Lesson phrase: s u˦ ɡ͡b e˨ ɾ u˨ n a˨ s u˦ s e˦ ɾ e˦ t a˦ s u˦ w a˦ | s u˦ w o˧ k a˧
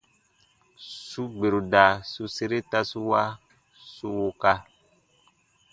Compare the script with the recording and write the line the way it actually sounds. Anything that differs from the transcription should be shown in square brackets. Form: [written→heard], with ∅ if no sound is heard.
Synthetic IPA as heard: s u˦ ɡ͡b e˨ ɾ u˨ [n→d] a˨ s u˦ s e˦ ɾ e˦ t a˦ s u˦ w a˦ | s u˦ w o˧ k a˧